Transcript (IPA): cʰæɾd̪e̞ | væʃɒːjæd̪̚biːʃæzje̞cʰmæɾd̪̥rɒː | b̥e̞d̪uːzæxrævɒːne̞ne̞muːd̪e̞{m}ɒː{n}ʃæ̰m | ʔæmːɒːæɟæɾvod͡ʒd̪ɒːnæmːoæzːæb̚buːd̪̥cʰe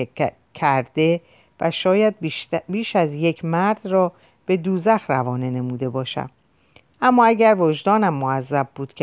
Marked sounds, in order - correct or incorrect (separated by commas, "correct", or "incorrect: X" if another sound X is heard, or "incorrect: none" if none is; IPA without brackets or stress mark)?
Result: incorrect: b, incorrect: none